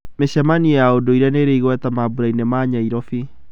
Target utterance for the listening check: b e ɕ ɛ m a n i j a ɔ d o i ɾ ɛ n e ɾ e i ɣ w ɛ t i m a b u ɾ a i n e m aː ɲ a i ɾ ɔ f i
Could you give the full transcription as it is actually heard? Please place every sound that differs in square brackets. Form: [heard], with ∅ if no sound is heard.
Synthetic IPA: [m] e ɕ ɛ m a n i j a [o] d o i ɾ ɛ n e ɾ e i ɣ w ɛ t [a] m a b u ɾ a i n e m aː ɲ a i ɾ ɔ f i

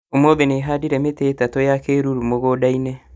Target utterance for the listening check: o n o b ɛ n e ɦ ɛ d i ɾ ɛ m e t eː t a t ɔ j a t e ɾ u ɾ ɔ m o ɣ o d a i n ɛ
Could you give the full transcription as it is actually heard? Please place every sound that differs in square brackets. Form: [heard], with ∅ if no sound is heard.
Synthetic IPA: o [m] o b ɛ n e ɦ [a] d i ɾ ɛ m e t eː t a t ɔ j a [k] e ɾ u ɾ [u] m o ɣ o d a i n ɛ

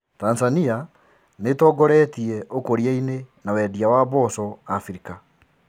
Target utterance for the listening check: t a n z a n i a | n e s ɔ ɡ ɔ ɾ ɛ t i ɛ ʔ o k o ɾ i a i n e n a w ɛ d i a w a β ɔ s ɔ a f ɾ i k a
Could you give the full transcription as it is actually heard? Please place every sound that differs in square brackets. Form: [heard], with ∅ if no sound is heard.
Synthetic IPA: t a n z a n i a | n e [t] ɔ ɡ ɔ ɾ ɛ t i ɛ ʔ o k o ɾ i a i n e n a w ɛ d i a w a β ɔ s ɔ a f ɾ i k a

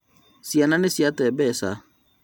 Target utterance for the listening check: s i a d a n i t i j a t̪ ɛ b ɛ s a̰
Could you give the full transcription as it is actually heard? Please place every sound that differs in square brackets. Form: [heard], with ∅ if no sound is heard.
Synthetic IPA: s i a [n] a n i [s] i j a t̪ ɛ b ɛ s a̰

